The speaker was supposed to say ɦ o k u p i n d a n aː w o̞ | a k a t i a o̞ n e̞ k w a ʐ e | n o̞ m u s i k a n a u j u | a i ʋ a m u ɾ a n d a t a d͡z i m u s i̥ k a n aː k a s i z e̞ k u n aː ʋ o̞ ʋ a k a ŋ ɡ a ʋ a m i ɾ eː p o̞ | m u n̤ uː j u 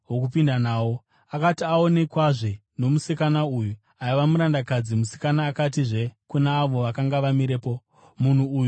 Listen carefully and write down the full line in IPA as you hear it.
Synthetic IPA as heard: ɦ o k u p i n d a n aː w o̞ | a k a t i a o̞ n e̞ k w a ʐ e | n o̞ m u s i k a n a u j u | a i ʋ a m u ɾ a n d a k a d͡z i m u s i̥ k a n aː k a t i ʐ e̞ k u n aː ʋ o̞ ʋ a k a ŋ ɡ a ʋ a m i ɾ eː p o̞ | m u n̤ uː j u